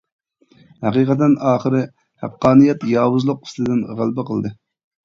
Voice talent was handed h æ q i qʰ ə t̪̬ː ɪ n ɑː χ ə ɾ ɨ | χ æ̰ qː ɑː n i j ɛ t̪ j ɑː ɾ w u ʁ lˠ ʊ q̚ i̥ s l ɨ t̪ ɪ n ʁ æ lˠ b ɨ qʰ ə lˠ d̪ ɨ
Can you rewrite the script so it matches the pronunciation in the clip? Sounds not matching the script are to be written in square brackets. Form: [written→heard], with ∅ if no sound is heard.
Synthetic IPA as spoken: h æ q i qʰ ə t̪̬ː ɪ n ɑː χ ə ɾ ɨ | [χ→h] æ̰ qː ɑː n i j ɛ t̪ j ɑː [ɾ→∅] w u [ʁ→z] lˠ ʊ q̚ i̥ s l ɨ [t̪→d̪] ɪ n ʁ æ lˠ b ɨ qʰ ə lˠ d̪ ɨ